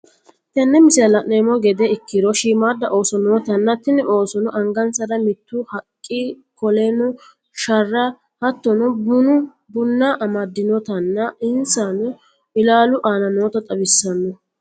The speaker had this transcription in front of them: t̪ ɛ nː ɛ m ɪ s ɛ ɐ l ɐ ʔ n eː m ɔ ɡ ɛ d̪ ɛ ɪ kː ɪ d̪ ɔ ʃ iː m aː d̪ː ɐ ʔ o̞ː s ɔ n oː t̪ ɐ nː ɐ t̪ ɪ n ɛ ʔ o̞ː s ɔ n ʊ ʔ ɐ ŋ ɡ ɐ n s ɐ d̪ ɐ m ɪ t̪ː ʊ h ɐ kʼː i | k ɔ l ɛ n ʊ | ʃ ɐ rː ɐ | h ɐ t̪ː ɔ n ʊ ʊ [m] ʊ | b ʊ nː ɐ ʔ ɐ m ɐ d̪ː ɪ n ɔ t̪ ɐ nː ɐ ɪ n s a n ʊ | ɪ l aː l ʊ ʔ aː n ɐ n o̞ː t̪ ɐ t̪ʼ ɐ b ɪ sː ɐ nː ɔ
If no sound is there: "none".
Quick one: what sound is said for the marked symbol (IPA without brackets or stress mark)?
n